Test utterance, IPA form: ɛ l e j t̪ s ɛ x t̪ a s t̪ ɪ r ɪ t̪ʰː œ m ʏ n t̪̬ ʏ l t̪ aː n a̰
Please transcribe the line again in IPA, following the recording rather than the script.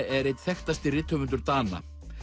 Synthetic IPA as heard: ɛ ɾ e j t̪ θ ɛ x t̪ a s t̪ ɪ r ɪ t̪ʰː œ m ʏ n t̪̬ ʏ ɾ t̪ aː n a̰